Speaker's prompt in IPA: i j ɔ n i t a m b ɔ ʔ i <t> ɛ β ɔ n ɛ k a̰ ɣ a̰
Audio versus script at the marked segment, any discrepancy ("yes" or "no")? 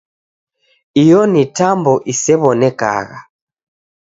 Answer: yes